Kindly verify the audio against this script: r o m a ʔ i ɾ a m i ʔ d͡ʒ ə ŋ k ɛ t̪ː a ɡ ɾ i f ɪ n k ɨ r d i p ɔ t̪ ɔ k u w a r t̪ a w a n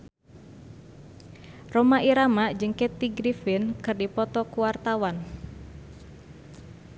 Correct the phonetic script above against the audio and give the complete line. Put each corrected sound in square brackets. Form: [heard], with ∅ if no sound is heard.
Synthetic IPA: r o m a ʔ i ɾ a m [a] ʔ d͡ʒ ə ŋ k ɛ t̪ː [i] ɡ ɾ i f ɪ n k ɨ r d i p ɔ t̪ ɔ k u w a r t̪ a w a n